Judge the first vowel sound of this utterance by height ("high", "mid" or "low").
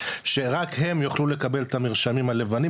mid